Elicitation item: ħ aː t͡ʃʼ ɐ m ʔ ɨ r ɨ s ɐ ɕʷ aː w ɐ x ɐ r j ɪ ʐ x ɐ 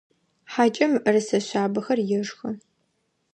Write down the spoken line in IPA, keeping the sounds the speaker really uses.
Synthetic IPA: ħ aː t͡ʃʼ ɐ m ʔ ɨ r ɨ s ɐ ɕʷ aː b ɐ x ɐ r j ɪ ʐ x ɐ

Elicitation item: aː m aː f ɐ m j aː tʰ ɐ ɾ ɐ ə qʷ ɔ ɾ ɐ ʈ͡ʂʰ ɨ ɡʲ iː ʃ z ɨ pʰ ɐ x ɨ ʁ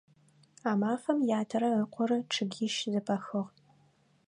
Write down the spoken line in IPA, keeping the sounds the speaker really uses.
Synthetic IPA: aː m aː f ɐ m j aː tʰ ɐ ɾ ɐ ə qʷ ɔ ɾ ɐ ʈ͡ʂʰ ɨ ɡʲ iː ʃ z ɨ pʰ ɐ x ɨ ʁ

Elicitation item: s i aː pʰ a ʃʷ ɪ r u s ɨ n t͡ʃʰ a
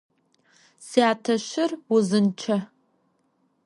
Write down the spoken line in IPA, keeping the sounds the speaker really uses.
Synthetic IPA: s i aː tʰ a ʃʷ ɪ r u z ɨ n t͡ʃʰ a

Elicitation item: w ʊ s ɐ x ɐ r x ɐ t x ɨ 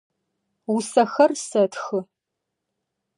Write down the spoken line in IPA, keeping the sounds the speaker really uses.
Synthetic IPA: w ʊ s ɐ x ɐ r s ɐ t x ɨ

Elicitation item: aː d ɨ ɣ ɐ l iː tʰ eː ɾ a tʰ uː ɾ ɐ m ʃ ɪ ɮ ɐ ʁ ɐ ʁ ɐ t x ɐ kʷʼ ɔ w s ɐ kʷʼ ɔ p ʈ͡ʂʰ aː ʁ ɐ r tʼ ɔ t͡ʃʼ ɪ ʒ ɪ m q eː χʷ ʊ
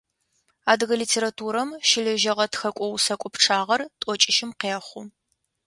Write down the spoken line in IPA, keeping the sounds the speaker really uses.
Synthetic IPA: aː d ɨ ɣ ɐ l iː tʰ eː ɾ a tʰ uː ɾ ɐ m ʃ ɪ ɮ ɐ ʒ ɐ ʁ ɐ t x ɐ kʷʼ ɔ w s ɐ kʷʼ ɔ p ʈ͡ʂʰ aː ʁ ɐ r tʼ ɔ t͡ʃʼ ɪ ʃ ɪ m q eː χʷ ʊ

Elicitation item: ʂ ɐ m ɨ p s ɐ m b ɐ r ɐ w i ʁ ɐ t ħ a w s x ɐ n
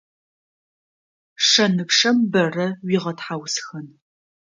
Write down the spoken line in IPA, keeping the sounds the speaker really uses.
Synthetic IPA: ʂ ɐ n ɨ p ʂ ɐ m b ɐ r ɐ w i ʁ ɐ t ħ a w s x ɐ n

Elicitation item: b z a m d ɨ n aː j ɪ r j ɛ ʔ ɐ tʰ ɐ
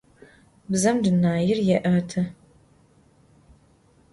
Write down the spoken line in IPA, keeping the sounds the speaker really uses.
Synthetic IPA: b z ɐ m d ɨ n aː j ɪ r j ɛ ʔ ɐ tʰ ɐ

